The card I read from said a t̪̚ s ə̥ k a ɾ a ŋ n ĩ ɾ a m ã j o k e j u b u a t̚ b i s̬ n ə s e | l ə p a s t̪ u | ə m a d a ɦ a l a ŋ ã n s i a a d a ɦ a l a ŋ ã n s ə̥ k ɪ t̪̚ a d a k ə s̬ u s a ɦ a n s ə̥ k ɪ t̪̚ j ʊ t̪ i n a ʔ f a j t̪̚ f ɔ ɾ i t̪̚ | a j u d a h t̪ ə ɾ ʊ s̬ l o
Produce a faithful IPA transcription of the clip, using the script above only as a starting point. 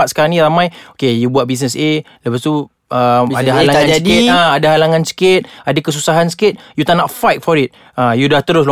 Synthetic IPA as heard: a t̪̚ s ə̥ k a ɾ a ŋ n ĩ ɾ a m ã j o k e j u b u a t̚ b i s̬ n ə s e | l ə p a s t̪ u | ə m a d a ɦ a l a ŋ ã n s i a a d a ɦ a l a ŋ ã n s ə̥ k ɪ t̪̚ a d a k ə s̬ u s a ɦ a n s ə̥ k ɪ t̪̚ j u t̪ a n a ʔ f a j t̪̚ f ɔ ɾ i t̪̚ | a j u d a h t̪ ə ɾ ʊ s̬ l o